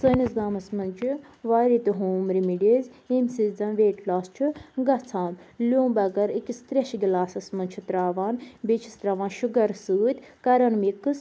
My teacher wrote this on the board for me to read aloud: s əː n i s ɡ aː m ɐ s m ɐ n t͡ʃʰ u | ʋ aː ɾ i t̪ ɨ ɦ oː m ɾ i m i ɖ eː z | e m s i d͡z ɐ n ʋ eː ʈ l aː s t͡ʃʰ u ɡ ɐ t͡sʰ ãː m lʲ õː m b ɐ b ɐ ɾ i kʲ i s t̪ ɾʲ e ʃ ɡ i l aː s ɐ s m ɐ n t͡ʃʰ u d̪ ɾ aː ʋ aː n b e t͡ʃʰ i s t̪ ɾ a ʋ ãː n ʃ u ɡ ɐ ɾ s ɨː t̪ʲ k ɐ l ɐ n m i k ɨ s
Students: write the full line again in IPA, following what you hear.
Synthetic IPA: s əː n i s ɡ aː m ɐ s m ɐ n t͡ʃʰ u | ʋ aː ɾ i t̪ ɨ ɦ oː m ɾ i m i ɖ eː z | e m s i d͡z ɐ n ʋ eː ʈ l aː s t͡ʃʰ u ɡ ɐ t͡sʰ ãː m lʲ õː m b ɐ ɡ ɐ ɾ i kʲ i s t̪ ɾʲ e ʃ ɡ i l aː s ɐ s m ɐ n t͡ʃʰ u t̪ ɾ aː ʋ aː n b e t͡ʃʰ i s t̪ ɾ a ʋ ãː n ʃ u ɡ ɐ ɾ s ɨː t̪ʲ k ɐ ɾ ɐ n m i k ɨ s